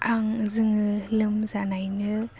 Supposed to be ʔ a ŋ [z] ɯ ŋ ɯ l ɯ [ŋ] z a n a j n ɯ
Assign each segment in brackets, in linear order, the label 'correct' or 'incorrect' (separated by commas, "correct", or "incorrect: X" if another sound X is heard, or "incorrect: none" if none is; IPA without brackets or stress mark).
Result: correct, incorrect: m